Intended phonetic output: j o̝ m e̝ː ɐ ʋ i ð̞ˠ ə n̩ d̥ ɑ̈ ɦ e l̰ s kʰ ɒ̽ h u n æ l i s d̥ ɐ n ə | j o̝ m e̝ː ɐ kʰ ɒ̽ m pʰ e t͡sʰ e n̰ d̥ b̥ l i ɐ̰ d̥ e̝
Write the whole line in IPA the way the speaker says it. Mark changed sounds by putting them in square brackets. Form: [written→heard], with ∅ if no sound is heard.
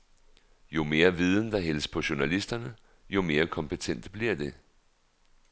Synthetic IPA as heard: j o̝ m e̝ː ɐ ʋ i ð̞ˠ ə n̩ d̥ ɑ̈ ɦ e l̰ s [kʰ→pʰ] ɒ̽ [h→ɕ] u n æ l i s d̥ ɐ n ə | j o̝ m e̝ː ɐ kʰ ɒ̽ m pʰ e t͡sʰ e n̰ d̥ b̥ l i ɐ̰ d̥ e̝